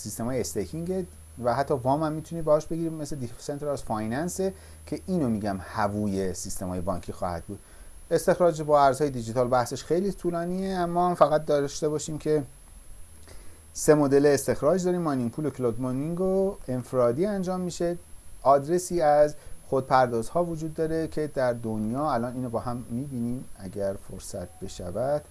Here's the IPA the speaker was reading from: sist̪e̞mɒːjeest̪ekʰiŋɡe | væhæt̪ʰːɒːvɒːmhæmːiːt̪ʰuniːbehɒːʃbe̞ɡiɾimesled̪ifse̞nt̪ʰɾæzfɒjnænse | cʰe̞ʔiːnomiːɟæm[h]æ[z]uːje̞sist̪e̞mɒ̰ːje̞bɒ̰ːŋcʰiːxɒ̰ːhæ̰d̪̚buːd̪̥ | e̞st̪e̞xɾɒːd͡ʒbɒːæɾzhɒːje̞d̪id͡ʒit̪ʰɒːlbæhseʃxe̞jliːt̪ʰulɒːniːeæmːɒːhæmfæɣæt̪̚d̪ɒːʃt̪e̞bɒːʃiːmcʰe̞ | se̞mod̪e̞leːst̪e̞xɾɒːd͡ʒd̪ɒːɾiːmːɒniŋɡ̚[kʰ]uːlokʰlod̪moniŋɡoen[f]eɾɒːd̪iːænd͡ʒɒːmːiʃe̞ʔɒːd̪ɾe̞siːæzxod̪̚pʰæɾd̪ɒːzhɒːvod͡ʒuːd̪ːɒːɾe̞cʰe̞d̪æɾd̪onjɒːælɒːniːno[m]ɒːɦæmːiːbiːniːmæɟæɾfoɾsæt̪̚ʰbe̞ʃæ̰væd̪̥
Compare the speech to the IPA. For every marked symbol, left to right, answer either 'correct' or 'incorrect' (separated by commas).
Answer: correct, incorrect, incorrect, correct, incorrect